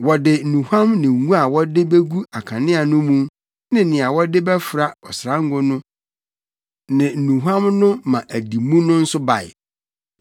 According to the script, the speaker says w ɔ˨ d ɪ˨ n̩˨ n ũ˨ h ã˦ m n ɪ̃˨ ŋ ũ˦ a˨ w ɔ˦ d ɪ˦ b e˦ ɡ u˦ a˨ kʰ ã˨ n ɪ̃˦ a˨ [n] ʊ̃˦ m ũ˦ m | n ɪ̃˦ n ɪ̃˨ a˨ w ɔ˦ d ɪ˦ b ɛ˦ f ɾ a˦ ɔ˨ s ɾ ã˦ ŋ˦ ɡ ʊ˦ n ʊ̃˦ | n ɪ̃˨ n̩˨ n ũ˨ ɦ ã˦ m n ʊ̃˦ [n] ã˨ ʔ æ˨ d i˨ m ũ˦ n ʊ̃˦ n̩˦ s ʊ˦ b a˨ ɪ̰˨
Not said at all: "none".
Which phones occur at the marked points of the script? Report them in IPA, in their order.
n, m

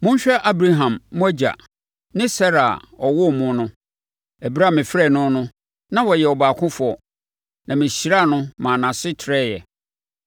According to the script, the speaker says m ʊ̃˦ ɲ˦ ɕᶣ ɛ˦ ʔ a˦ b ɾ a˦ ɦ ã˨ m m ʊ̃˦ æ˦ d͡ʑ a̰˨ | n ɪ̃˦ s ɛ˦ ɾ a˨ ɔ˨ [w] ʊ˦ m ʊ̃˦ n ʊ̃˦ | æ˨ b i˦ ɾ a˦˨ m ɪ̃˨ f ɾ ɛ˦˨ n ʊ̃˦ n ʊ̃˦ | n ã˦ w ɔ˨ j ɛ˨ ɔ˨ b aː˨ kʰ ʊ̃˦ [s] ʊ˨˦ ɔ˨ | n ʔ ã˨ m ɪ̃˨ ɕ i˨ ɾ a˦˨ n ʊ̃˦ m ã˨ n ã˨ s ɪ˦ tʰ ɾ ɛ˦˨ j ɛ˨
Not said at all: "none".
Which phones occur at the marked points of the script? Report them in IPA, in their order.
w, f

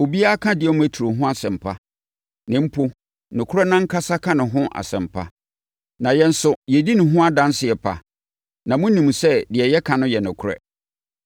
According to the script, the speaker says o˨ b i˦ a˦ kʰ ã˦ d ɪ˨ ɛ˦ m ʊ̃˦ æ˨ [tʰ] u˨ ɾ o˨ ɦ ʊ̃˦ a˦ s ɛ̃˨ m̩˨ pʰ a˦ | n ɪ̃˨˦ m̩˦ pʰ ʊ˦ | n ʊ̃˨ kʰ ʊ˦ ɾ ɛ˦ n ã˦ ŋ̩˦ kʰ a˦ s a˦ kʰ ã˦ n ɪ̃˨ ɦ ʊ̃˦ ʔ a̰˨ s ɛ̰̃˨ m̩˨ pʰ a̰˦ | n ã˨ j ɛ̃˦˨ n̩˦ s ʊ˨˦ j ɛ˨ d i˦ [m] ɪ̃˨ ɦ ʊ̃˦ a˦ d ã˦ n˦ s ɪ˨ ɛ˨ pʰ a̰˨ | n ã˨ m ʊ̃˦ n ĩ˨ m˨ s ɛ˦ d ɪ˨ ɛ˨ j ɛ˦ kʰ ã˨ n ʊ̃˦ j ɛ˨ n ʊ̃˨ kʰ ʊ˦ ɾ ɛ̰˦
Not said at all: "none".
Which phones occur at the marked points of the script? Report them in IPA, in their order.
tʰ, n

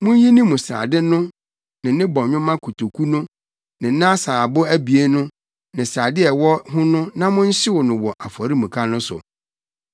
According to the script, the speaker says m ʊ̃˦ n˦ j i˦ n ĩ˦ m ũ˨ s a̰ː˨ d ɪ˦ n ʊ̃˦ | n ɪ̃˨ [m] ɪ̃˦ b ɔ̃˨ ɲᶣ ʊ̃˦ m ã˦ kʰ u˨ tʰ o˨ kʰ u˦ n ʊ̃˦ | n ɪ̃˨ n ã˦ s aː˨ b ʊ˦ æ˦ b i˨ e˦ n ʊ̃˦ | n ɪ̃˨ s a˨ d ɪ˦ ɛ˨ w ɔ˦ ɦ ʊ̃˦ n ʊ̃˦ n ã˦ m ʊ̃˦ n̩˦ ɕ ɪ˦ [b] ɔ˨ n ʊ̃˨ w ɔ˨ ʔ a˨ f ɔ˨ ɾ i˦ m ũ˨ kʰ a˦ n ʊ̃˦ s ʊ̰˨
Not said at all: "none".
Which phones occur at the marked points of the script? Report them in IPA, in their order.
n, w

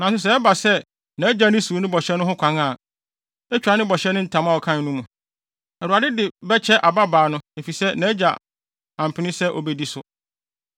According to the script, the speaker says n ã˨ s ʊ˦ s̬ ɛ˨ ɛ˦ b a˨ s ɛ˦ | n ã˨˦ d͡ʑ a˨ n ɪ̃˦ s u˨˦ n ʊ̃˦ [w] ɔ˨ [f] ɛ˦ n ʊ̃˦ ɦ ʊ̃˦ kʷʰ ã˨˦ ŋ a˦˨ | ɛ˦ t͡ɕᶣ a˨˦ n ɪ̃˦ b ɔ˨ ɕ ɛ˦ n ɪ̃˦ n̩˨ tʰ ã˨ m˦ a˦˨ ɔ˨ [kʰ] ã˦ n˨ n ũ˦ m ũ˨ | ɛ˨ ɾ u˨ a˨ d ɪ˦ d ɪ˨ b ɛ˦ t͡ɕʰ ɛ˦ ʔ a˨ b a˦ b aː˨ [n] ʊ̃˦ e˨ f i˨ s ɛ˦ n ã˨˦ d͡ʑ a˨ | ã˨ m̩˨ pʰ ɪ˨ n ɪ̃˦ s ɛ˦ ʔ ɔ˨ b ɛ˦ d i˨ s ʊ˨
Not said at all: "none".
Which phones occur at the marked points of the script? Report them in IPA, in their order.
b, ɕ, kʰ, n

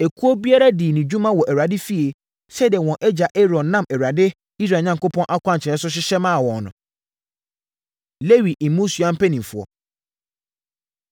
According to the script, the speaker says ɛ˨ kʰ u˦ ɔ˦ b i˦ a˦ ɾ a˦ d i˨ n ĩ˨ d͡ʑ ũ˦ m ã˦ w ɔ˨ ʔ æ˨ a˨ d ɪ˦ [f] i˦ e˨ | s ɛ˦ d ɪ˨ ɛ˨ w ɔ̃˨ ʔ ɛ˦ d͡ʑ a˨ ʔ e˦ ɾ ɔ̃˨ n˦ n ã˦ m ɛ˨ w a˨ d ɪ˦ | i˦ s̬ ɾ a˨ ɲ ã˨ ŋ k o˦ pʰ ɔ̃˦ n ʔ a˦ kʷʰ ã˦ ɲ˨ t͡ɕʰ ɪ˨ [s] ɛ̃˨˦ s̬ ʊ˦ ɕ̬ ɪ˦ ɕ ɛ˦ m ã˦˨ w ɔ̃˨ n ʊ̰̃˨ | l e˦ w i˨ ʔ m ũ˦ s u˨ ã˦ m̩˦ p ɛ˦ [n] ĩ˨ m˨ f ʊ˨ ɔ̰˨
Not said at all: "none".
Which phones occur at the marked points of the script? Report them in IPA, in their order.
f, none, n

